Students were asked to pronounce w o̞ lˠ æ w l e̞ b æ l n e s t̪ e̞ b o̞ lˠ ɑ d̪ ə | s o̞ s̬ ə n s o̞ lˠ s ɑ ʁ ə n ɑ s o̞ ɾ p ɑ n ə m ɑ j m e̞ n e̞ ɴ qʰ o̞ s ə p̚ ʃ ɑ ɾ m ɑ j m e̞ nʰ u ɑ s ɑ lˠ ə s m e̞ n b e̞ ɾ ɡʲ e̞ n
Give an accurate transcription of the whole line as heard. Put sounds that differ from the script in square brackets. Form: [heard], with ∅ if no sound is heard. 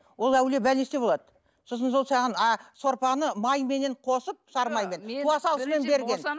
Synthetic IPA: w o̞ lˠ æ w l e̞ b æ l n e s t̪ e̞ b o̞ lˠ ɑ d̪ ə | s o̞ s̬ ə n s o̞ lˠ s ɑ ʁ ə n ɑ s o̞ ɾ p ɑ n ə m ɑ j m e̞ n e̞ ɴ qʰ o̞ s ə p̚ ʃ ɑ ɾ m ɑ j m e̞ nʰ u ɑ s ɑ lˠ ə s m e̞ n b e̞ ɾ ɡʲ e̞ n